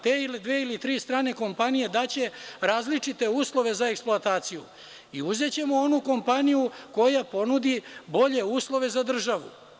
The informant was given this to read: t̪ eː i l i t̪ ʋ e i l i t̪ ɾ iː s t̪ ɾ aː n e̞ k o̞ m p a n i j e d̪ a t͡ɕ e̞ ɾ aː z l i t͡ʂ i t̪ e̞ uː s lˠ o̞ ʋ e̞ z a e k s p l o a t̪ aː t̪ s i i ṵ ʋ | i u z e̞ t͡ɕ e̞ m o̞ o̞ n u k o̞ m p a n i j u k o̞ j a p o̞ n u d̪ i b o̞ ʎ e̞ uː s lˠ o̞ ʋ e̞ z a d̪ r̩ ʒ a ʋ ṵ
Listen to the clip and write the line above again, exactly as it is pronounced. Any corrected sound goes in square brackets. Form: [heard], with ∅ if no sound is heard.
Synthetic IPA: t̪ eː i l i [d̪] ʋ e i l i t̪ ɾ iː s t̪ ɾ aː n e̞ k o̞ m p a n i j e d̪ a t͡ɕ e̞ ɾ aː z l i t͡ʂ i t̪ e̞ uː s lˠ o̞ ʋ e̞ z a e k s p l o a t̪ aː t̪ s i [j] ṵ [∅] | i u z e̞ t͡ɕ e̞ m o̞ o̞ n u k o̞ m p a n i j u k o̞ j a p o̞ n u d̪ i b o̞ ʎ e̞ uː s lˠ o̞ ʋ e̞ z a d̪ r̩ ʒ a ʋ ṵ